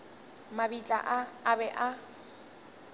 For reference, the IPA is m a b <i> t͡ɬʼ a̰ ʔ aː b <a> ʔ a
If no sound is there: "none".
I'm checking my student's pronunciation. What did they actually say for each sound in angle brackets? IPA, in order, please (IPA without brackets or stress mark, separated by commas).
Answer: i, ɛ